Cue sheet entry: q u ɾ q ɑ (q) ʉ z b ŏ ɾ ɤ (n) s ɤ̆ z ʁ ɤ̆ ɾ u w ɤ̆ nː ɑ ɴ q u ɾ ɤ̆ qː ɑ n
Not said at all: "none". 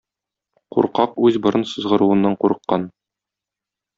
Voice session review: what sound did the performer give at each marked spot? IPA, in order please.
q, n

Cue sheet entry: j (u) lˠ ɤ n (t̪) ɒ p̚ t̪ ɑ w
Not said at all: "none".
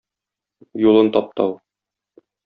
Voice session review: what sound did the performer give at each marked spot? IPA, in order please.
u, t̪

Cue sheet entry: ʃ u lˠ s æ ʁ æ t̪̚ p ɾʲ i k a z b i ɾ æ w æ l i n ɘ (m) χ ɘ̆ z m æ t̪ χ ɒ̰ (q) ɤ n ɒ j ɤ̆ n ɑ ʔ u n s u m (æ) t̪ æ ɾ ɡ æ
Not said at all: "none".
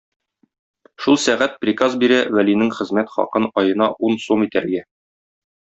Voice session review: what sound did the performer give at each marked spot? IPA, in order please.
ŋ, q, i

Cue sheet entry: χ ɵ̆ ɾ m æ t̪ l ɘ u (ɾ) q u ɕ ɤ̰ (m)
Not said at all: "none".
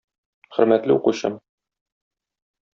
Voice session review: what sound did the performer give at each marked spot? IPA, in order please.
none, m

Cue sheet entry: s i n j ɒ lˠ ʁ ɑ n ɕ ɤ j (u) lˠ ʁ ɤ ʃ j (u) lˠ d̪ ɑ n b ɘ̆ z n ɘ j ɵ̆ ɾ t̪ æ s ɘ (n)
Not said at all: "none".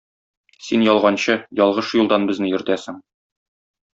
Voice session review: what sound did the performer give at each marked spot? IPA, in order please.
ɒ, u, ŋ

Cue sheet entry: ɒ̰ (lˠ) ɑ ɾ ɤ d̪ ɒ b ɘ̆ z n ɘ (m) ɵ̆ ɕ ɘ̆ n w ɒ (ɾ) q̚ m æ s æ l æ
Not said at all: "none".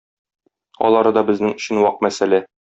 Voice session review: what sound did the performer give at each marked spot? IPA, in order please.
lˠ, ŋ, none

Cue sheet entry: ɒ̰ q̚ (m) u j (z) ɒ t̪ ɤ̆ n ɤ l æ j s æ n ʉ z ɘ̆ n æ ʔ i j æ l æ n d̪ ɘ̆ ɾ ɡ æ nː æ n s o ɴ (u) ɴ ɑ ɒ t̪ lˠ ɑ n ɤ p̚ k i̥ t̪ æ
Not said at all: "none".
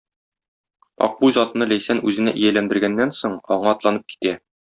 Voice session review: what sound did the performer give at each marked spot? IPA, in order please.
b, z, ɒ

